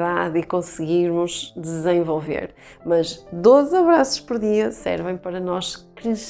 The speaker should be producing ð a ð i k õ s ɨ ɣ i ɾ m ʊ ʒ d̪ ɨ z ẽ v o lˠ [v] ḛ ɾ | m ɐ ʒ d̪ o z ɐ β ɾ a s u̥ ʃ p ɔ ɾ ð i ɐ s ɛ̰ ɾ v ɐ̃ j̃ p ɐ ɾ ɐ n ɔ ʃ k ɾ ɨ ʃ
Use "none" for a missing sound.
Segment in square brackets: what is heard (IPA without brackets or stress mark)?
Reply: v